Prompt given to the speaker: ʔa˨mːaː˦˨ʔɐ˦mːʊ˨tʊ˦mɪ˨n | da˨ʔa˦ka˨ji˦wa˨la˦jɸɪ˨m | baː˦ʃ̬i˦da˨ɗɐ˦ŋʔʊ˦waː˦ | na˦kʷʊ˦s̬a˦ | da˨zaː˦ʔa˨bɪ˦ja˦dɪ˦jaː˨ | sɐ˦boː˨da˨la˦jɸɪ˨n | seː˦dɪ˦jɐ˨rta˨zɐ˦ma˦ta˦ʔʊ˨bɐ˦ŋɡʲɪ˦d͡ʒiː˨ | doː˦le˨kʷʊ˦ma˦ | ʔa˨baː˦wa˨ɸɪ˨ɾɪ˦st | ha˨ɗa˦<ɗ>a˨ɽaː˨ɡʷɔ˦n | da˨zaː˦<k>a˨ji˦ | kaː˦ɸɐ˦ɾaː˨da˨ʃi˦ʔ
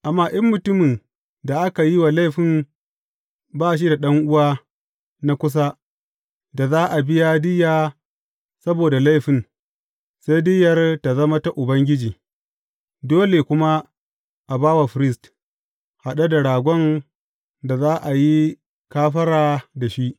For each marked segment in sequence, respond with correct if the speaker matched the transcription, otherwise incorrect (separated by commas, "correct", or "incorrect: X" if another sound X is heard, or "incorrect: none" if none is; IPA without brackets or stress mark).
incorrect: d, incorrect: ʔ